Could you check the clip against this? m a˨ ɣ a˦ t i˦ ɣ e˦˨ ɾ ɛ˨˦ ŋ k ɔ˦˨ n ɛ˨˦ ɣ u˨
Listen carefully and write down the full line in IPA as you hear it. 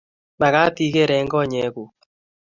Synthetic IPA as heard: m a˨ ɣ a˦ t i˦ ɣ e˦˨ ɾ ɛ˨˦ ŋ ɡ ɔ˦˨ ɲ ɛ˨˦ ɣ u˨